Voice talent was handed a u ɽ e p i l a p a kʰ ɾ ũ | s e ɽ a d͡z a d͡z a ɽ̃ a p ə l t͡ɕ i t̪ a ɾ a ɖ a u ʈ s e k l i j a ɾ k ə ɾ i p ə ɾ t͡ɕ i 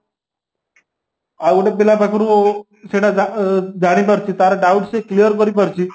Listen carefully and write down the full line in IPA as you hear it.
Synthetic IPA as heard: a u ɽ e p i l a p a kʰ ɾ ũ | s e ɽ a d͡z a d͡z a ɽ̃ i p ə ɾ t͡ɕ i t̪ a ɾ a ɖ a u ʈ s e k l i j ə ɾ k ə ɾ i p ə ɾ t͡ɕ i